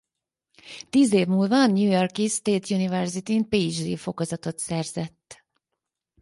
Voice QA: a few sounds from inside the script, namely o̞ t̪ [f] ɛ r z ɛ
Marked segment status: incorrect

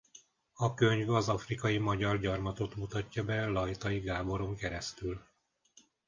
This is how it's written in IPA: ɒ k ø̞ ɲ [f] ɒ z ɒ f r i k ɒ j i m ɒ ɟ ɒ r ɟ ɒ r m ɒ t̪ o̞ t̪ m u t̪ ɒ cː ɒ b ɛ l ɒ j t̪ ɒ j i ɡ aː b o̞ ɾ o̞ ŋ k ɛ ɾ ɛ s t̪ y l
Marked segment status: incorrect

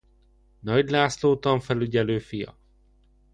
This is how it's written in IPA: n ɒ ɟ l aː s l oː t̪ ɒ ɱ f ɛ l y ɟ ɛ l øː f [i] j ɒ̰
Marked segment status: correct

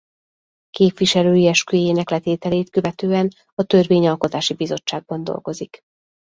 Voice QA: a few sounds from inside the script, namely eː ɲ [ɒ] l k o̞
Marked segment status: correct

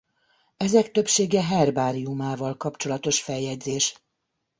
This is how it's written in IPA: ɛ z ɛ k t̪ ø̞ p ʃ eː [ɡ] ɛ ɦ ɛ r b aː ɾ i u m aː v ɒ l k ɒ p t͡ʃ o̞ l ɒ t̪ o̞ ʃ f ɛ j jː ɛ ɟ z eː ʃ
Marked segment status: correct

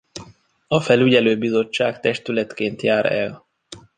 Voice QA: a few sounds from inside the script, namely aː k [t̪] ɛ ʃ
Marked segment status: correct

